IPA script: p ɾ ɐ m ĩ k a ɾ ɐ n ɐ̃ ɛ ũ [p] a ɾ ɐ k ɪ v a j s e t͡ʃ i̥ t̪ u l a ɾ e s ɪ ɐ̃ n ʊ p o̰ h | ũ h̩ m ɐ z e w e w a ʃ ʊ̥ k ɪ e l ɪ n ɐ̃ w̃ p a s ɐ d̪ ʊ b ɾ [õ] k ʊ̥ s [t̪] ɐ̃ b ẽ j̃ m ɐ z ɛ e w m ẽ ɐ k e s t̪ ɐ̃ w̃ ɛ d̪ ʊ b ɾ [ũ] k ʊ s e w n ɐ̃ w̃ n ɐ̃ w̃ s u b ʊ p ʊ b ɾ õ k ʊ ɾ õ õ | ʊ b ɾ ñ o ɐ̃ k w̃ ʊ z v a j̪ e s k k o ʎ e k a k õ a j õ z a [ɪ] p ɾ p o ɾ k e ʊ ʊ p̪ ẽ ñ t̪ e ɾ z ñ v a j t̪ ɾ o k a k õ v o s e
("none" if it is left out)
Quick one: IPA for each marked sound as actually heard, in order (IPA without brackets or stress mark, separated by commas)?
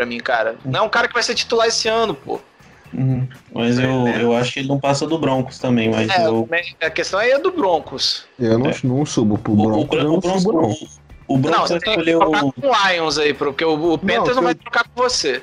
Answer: k, õ, t̪, õ, i